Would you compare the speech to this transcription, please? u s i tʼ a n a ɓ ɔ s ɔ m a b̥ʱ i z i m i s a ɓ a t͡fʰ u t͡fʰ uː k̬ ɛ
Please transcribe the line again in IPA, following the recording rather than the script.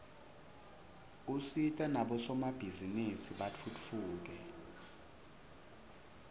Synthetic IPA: u s i tʼ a n a ɓ ɔ s ɔ m a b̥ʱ i z i n i s i ɓ a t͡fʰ u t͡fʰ uː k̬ ɛ